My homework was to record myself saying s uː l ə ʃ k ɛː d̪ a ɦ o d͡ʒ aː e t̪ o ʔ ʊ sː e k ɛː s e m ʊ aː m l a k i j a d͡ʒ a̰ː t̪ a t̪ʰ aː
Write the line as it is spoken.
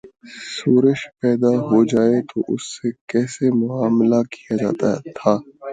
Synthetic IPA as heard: s uː ɾ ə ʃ p ɛː d̪ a ɦ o d͡ʒ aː e t̪ o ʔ ʊ sː e k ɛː s e m ʊ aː m l a k i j a d͡ʒ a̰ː t̪ a t̪ʰ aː